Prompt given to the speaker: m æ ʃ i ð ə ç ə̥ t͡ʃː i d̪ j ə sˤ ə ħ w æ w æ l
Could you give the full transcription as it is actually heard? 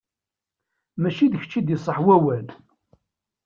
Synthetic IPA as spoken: m æ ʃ i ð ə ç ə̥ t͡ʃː i d̪ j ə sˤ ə ħ w æ w æ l